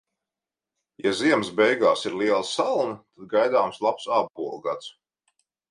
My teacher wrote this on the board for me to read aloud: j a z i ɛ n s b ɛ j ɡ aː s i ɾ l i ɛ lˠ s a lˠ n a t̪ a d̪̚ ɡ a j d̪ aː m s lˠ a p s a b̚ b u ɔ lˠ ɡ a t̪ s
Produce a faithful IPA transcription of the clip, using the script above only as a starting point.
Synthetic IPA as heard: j a z i ɛ m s b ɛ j ɡ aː s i ɾ l i ɛ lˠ s a lˠ n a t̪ a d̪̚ ɡ a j d̪ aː m s lˠ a p s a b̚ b u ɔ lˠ ɡ a t̪ s